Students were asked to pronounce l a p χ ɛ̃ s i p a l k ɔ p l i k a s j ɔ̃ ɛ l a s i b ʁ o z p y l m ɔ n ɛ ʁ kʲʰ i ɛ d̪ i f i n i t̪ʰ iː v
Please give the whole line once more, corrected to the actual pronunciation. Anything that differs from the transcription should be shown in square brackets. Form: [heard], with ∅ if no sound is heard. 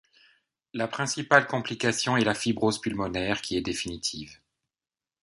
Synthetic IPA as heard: l a p χ ɛ̃ s i p a l k [ɔ̃] p l i k a s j ɔ̃ ɛ l a [f] i b ʁ o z p y l m ɔ n ɛ ʁ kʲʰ i ɛ d̪ [e] f i n i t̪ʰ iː v